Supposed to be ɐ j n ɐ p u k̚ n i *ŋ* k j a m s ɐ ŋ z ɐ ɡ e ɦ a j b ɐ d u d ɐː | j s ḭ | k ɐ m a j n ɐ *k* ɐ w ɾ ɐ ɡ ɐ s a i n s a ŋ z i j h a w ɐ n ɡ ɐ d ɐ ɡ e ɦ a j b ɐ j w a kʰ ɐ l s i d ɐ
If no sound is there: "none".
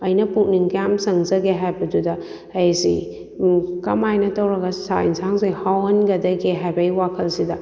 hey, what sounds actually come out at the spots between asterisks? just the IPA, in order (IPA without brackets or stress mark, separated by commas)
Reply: ŋ, t